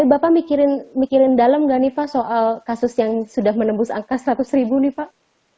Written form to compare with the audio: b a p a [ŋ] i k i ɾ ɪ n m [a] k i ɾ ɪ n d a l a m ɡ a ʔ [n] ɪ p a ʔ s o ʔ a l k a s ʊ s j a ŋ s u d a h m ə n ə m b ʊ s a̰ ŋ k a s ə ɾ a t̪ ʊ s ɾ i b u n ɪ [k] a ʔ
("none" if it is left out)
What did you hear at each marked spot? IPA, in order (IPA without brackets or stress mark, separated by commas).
m, i, n, p